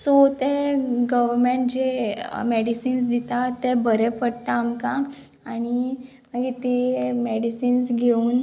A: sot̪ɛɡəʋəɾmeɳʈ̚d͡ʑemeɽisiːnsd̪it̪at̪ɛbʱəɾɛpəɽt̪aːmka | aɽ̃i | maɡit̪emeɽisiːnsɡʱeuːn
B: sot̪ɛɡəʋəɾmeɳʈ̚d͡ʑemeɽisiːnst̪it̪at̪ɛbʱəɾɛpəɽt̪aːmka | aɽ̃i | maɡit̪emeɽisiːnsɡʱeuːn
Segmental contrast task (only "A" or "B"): A